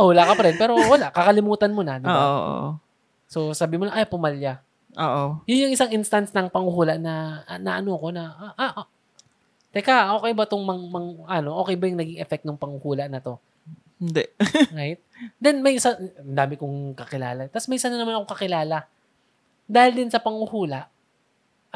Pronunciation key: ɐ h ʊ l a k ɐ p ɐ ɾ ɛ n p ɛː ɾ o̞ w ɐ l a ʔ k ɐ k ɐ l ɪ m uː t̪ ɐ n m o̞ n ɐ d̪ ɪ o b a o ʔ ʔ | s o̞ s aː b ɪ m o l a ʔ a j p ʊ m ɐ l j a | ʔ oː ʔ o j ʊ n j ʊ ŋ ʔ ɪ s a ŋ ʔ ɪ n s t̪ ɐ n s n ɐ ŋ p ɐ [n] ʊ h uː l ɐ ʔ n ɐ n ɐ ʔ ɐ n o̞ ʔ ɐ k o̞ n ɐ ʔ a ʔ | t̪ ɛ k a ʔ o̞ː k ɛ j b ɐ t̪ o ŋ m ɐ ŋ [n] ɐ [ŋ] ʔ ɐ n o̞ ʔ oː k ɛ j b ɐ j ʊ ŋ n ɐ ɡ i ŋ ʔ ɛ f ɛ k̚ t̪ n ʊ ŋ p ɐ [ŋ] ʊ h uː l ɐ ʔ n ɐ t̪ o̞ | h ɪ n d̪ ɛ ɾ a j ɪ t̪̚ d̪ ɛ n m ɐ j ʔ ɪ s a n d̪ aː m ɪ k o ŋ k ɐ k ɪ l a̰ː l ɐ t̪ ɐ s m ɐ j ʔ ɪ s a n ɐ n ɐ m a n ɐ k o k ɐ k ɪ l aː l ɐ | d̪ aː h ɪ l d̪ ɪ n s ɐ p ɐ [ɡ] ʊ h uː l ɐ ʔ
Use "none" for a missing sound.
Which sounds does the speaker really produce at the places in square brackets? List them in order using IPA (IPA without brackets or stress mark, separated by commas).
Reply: ŋ, m, ŋ, ŋ, ŋ